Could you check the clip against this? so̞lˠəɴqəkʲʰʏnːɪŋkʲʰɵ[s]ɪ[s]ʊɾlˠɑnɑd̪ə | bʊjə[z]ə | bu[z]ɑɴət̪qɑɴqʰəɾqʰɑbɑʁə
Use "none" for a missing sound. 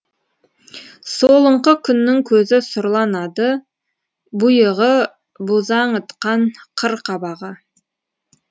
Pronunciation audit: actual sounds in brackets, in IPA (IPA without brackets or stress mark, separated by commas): z, s, ʁ, z